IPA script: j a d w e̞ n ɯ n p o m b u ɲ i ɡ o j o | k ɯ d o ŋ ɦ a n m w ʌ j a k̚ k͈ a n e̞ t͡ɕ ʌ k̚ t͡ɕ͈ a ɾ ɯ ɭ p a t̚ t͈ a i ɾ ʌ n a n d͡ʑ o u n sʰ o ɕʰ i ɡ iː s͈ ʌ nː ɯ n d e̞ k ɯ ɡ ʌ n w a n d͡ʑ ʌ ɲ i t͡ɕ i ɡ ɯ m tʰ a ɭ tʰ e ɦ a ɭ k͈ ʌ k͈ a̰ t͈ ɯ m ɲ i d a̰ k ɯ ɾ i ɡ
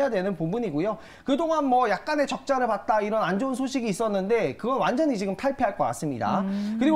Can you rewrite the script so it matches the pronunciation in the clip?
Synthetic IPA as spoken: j a d w e̞ n ɯ n p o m b u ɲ i ɡ o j o | k ɯ d o ŋ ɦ a n m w ʌ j a k̚ k͈ a n e̞ t͡ɕ ʌ k̚ t͡ɕ͈ a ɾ ɯ ɭ p a t̚ t͈ a i ɾ ʌ n a n d͡ʑ o u n sʰ o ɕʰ i ɡ iː s͈ ʌ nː ɯ n d e̞ k ɯ ɡ ʌ n w a n d͡ʑ ʌ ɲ i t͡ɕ i ɡ ɯ m tʰ a ɭ pʰ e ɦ a ɭ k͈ ʌ k͈ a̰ s͈ ɯ m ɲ i d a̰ k ɯ ɾ i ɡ

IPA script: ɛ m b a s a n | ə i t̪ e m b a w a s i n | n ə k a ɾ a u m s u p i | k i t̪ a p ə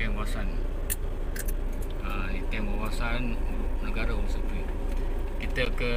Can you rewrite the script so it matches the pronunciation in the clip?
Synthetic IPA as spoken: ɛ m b a s a n | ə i t̪ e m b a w a s a n | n ə ɡ a ɾ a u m s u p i | k i t̪ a k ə

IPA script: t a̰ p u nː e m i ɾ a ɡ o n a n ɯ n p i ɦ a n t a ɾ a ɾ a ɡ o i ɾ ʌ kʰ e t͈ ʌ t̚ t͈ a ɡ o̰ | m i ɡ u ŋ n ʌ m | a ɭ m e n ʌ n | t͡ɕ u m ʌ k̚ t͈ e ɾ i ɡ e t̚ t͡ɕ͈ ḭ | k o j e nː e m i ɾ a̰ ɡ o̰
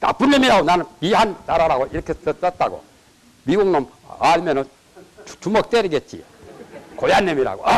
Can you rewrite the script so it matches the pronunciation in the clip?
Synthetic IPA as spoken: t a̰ p u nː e m i ɾ a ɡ o n a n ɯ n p i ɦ a n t a ɾ a ɾ a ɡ o i ɾ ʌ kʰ e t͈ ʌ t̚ t͈ a ɡ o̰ | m i ɡ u ŋ n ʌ m | a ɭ m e n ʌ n | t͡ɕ u m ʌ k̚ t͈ e ɾ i ɡ e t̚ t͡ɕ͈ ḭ | k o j a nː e m i ɾ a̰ ɡ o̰

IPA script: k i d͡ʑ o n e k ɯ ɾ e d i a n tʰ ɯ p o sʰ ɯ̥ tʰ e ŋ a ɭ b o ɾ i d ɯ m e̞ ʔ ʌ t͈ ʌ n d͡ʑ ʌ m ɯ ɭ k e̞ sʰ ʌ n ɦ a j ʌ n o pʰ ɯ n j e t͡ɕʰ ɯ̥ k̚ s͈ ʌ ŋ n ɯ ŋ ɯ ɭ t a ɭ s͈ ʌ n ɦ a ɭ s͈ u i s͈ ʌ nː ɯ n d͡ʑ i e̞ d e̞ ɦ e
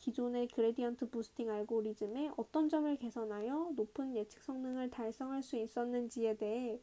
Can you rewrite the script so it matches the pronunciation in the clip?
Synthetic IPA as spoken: k i d͡ʑ o n e k ɯ ɾ e d i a n tʰ ɯ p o sʰ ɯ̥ tʰ i ŋ a ɭ ɡ o ɾ i d͡ʑ ɯ m e̞ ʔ ʌ t͈ ʌ n d͡ʑ ʌ m ɯ ɭ k e̞ sʰ ʌ n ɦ a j ʌ n o pʰ ɯ n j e t͡ɕʰ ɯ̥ k̚ s͈ ʌ ŋ n ɯ ŋ ɯ ɭ t a ɭ s͈ ʌ ŋ ɦ a ɭ s͈ u i s͈ ʌ nː ɯ n d͡ʑ i e̞ d e̞ ɦ e

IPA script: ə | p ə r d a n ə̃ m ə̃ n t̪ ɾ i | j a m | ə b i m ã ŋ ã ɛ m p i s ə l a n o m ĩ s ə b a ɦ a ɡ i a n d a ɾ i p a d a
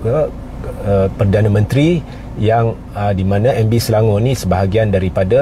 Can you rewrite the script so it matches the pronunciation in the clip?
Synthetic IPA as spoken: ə | p ə r d a n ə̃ m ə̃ n t̪ ɾ i | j a ŋ | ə d i m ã n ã ɛ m b i s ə l a ŋ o n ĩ s ə b a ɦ a ɡ i a n d a ɾ i p a d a

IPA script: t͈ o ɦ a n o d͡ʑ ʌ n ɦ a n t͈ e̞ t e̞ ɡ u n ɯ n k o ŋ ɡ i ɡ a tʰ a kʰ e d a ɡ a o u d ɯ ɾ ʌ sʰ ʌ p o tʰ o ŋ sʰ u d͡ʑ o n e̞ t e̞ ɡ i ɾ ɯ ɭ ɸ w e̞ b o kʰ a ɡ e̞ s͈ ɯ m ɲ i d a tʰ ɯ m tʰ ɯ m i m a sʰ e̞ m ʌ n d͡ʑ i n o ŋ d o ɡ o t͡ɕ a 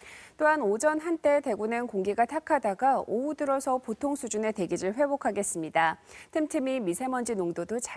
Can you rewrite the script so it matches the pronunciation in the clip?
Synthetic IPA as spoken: t͈ o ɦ a n o d͡ʑ ʌ n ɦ a n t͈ e̞ t e̞ ɡ u n ɯ n k o ŋ ɡ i ɡ a tʰ a kʰ a d a ɡ a o u d ɯ ɾ ʌ sʰ ʌ p o tʰ o ŋ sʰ u d͡ʑ u n e̞ t e̞ ɡ i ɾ ɯ ɭ ɸ w e̞ b o kʰ a ɡ e̞ s͈ ɯ m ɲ i d a tʰ ɯ m tʰ ɯ m i m i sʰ e̞ m ʌ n d͡ʑ i n o ŋ d o d o t͡ɕ a

